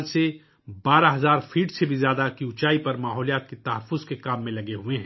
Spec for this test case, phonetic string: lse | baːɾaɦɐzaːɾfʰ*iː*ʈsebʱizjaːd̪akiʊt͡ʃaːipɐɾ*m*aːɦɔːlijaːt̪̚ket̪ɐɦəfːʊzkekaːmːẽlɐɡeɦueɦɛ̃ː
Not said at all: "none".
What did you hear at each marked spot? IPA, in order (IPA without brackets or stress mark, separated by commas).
iː, m